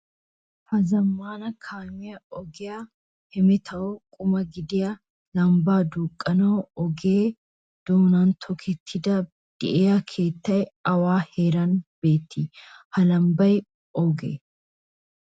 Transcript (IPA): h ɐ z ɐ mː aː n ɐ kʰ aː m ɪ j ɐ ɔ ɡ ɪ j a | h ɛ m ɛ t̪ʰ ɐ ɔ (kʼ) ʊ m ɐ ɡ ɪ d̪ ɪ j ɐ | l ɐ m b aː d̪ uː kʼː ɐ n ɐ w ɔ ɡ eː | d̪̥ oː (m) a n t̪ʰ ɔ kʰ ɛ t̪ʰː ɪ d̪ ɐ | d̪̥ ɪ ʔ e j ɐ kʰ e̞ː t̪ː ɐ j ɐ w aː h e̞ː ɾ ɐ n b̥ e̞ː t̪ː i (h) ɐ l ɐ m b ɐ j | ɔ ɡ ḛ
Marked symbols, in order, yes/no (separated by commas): yes, no, yes